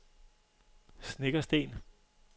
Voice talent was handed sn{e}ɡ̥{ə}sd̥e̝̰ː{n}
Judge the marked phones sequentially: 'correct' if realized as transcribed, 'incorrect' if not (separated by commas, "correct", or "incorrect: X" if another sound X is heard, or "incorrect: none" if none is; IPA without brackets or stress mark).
correct, incorrect: ɐ, correct